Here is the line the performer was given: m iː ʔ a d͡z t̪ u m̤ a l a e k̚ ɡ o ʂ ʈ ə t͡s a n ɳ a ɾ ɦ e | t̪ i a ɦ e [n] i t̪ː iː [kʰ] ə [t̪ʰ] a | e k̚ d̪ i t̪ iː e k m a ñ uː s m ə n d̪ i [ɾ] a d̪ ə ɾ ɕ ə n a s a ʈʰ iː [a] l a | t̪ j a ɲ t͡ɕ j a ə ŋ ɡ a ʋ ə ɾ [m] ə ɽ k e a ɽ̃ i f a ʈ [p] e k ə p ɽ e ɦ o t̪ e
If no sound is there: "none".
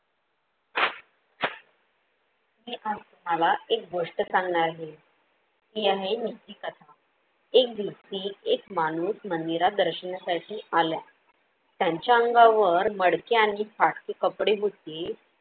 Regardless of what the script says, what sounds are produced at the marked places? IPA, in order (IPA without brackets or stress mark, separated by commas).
n, k, t̪ʰ, ɾ, a, m, k